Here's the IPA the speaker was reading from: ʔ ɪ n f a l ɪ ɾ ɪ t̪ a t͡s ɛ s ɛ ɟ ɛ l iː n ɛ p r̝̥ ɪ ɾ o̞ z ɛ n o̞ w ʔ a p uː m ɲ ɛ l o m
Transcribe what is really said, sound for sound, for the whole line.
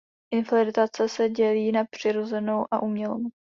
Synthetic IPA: ʔ ɪ n f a l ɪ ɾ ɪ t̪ a t͡s ɛ s ɛ ɟ ɛ l iː n a p r̝̥ ɪ ɾ o̞ z ɛ n o̞ w ʔ a ʔ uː m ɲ ɛ l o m